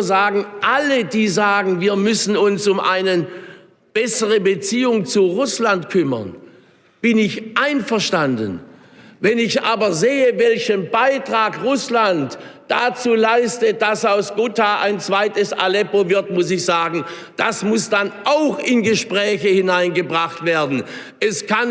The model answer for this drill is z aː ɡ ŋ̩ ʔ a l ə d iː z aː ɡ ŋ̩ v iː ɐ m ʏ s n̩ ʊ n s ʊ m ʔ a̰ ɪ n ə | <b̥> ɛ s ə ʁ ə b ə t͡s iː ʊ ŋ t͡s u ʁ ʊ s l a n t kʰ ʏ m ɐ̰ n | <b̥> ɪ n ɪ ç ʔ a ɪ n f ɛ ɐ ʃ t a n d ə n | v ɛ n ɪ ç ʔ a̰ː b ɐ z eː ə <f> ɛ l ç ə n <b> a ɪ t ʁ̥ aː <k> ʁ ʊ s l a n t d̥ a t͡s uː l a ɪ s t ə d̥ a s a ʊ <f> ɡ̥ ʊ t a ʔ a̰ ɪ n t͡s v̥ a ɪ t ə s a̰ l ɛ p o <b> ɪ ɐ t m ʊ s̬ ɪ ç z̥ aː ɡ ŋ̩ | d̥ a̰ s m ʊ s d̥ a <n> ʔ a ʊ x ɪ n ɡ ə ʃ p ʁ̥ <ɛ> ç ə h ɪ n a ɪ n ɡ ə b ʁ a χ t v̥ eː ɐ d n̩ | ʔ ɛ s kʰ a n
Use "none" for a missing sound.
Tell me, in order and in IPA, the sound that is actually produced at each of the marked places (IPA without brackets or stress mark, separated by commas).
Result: b̥, b̥, v, b, k, s, v, n, ɛː